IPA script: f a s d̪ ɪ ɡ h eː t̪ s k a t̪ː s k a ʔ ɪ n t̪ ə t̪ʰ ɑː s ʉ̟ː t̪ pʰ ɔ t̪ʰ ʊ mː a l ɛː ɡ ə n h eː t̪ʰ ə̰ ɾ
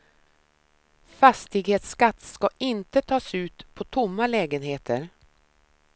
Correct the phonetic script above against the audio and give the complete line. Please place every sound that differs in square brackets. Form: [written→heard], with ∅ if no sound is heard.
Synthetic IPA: f a s [d̪→t̪] ɪ ɡ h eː t̪ s k a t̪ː s k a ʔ ɪ n t̪ ə t̪ʰ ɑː s ʉ̟ː t̪ pʰ ɔ t̪ʰ ʊ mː a l ɛː ɡ ə n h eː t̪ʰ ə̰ ɾ